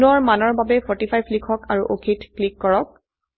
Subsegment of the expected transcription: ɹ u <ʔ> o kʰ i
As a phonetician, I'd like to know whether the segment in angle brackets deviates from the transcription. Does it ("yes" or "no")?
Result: no